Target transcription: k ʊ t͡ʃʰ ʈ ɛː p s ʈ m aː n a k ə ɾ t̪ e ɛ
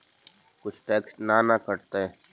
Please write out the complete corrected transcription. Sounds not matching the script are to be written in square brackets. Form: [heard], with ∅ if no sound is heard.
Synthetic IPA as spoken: k ʊ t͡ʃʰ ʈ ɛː [k] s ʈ [n] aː n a k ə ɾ t̪ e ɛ